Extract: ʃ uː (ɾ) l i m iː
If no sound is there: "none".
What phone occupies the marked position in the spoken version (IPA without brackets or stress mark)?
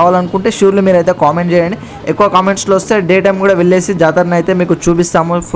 ɾ